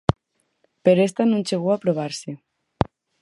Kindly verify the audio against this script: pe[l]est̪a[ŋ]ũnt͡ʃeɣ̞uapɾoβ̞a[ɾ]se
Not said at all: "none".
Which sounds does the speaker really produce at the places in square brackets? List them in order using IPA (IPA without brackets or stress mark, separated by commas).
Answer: ɾ, n, ɾ